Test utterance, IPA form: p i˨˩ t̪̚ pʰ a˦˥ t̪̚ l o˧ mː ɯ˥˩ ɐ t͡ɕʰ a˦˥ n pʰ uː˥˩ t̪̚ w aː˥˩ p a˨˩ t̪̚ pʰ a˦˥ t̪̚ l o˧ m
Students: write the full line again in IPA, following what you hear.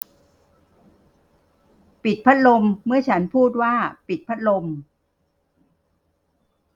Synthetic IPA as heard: p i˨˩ t̪̚ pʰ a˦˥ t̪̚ l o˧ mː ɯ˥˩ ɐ t͡ɕʰ a˦˥ n pʰ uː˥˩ t̪̚ w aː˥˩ p i˨˩ t̪̚ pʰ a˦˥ t̪̚ l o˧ m